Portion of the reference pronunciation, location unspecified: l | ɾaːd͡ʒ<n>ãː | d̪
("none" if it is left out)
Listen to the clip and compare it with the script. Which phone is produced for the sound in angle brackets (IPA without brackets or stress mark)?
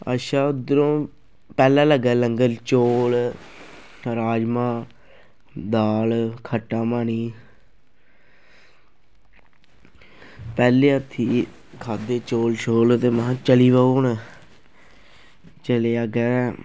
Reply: m